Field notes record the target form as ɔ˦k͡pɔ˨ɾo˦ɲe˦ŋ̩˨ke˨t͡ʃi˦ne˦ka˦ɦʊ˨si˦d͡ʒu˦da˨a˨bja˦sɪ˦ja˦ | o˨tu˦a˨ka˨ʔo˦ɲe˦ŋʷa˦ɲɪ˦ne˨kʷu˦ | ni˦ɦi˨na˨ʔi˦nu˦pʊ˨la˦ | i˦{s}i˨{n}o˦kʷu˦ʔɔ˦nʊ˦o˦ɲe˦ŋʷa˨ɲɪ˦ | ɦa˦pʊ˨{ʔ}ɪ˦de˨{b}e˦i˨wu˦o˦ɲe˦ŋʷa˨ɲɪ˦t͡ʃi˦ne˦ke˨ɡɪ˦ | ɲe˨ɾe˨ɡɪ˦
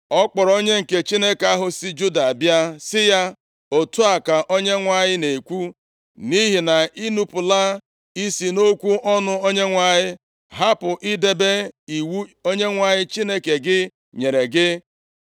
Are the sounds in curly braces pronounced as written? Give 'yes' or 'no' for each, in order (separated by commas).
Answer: yes, yes, yes, yes